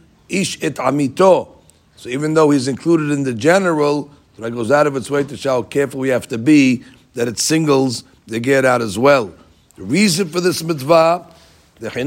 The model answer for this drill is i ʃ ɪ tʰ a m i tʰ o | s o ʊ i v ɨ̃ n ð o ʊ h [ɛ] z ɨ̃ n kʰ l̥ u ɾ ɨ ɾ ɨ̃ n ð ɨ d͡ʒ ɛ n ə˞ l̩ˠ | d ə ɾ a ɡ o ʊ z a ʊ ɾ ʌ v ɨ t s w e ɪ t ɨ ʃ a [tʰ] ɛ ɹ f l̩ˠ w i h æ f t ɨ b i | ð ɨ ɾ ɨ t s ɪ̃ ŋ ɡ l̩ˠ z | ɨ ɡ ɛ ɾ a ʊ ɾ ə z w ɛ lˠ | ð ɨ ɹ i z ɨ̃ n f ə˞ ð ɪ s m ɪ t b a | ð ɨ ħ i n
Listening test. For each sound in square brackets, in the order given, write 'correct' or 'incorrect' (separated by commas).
incorrect, incorrect